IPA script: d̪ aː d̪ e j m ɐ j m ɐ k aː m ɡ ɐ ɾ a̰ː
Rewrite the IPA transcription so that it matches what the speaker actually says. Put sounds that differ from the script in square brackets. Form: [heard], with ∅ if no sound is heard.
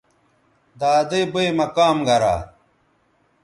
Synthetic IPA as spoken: d̪ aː d̪ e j [b] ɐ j m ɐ k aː m ɡ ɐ ɾ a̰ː